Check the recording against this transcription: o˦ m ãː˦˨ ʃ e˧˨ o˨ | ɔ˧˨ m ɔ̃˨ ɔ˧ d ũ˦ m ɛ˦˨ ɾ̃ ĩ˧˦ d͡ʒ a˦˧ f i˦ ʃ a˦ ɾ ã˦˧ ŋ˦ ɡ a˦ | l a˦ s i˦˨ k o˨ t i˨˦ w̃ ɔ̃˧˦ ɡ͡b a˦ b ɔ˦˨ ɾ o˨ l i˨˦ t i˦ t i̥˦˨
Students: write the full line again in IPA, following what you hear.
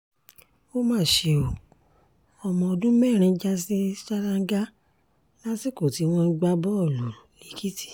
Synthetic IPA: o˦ m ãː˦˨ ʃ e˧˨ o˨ | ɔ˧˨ m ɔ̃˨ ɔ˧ d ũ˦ m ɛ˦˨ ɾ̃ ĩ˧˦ d͡ʒ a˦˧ s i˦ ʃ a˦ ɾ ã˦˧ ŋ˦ ɡ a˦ | l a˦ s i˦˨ k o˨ t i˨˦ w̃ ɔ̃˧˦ ɡ͡b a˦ b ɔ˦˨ l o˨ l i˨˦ k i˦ t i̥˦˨